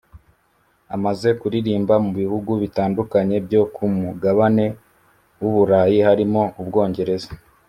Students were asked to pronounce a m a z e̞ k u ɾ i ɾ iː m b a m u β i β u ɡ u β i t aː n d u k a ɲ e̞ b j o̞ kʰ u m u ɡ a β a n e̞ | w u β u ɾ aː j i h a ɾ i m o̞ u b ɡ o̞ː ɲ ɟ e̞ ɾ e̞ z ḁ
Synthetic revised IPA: a m a z e̞ k u ɾ i ɾ iː m b a m u β i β u ɡ u β i t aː n d u k a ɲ e̞ b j o̞ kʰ u m u ɡ a β a n e̞ | w u β u ɾ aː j i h a ɾ i m o̞ u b ɡ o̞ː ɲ ɟ e̞ ɾ e̞ z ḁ

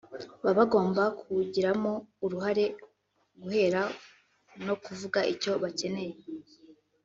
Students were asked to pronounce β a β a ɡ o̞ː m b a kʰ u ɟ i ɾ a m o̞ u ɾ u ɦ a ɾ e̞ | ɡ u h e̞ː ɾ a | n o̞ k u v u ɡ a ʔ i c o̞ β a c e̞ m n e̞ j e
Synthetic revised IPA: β a β a ɡ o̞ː m b a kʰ u ɟ i ɾ a m o̞ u ɾ u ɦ a ɾ e̞ | ɡ u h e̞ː ɾ a | n o̞ k u v u ɡ a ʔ i c o̞ β a c e̞ n e̞ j e

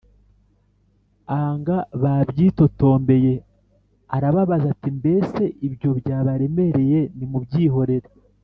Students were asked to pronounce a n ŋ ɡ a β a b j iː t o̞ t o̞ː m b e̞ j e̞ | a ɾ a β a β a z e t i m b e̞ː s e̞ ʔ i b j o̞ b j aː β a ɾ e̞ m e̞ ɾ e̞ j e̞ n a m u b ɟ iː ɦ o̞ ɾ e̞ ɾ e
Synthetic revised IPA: a ŋ ɡ a β a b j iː t o̞ t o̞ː m b e̞ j e̞ | a ɾ a β a β a z a t i m b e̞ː s e̞ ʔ i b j o̞ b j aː β a ɾ e̞ m e̞ ɾ e̞ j e̞ n i m u b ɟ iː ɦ o̞ ɾ e̞ ɾ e

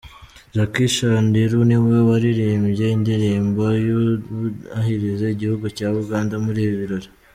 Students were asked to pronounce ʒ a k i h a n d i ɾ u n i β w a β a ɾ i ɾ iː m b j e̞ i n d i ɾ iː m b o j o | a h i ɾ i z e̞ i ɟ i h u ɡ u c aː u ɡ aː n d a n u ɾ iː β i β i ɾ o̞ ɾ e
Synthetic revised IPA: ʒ a k i ʃ a n d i ɾ u n i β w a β a ɾ i ɾ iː m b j e̞ i n d i ɾ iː m b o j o | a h i ɾ i z e̞ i ɟ i h u ɡ u c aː u ɡ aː n d a m u ɾ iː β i β i ɾ o̞ ɾ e

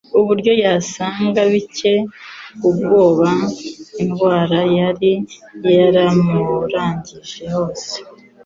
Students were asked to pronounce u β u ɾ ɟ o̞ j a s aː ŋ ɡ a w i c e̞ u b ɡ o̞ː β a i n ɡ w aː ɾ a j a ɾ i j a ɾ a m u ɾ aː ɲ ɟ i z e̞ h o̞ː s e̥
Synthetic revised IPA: u β u ɾ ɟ o̞ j a s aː ŋ ɡ a β i c e̞ u b ɡ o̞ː β a i n ɡ w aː ɾ a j a ɾ i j a ɾ a m u ɾ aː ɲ ɟ i ʒ e̞ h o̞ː s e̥

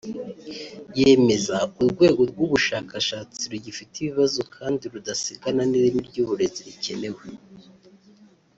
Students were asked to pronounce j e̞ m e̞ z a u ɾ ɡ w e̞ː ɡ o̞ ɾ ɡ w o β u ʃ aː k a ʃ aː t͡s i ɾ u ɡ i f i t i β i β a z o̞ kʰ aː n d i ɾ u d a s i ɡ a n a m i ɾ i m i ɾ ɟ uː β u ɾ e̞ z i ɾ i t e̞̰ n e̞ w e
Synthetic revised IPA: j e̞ m e̞ z a u ɾ ɡ w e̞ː ɡ o̞ ɾ ɡ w u β u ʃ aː k a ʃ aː t͡s i ɾ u ɟ i f i t i β i β a z o̞ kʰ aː n d i ɾ u d a s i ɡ a n a n i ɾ i m i ɾ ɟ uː β u ɾ e̞ z i ɾ i c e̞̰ n e̞ w e

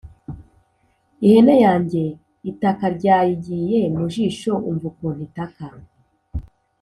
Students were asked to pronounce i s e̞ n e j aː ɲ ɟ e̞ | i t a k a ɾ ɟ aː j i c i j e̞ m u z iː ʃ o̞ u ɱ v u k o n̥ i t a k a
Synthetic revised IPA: i h e̞ n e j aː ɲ ɟ e̞ | i t a k a ɾ ɟ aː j i ɟ i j e̞ m u ʒ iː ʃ o̞ u ɱ v u k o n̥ i t a k a

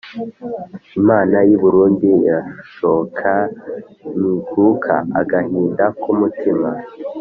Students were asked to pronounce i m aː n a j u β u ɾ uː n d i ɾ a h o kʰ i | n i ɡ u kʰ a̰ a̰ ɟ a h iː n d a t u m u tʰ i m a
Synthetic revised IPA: i m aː n a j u β u ɾ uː n d i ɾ a ʃ o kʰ a | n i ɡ u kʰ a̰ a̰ ɡ a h iː n d a k u m u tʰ i m a

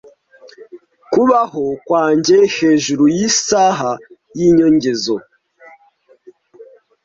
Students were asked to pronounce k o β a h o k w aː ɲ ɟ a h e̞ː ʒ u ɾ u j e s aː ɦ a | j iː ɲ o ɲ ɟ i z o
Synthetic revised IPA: k u β a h o k w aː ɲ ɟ e h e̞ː ʒ u ɾ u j i s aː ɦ a | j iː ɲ o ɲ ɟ e z o

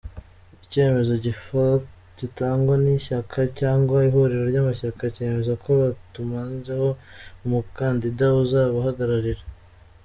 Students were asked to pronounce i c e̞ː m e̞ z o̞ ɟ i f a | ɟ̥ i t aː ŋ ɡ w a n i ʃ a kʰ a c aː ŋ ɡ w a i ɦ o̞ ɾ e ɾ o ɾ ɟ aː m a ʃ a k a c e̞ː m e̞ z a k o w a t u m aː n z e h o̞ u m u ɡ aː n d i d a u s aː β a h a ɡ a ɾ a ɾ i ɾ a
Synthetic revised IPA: i c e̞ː m e̞ z o̞ ɟ i f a | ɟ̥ i t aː ŋ ɡ w a n i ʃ a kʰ a c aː ŋ ɡ w a i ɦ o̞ ɾ e ɾ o ɾ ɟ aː m a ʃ a k a c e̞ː m e̞ z a k o β a t u m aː n z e h o̞ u m u k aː n d i d a u z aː β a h a ɡ a ɾ a ɾ i ɾ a

